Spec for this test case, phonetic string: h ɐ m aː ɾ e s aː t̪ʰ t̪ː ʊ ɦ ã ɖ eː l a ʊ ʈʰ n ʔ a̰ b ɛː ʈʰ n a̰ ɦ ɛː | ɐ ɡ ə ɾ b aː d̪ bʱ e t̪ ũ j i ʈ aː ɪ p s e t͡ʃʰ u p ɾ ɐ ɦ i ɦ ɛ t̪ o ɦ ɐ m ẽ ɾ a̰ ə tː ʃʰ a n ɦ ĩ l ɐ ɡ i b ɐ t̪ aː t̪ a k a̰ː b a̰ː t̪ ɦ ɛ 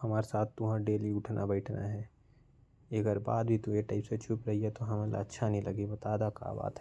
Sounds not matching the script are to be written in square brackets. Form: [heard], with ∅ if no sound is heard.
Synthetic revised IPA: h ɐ m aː ɾ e s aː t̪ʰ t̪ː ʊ ɦ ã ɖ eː l [i] ʊ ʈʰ n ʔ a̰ b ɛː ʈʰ n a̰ ɦ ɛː | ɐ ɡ ə ɾ b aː d̪ bʱ [i] t̪ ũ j [e] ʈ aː ɪ p s e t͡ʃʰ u p ɾ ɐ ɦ i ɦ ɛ t̪ o ɦ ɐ m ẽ [l] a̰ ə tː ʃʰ a n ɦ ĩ l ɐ ɡ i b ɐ t̪ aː [d̪] a k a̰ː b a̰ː t̪ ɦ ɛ